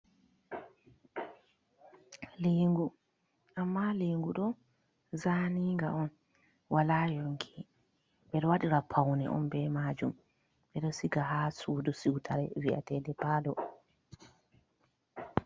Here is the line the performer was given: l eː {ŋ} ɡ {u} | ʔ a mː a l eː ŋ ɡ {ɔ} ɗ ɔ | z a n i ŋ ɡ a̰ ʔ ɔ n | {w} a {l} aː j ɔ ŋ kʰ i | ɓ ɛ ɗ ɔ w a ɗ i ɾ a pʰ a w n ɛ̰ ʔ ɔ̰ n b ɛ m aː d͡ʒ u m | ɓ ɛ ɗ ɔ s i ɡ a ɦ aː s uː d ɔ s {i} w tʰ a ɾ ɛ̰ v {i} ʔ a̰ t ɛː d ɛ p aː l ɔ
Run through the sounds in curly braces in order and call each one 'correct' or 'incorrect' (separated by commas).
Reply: correct, correct, incorrect, correct, correct, correct, correct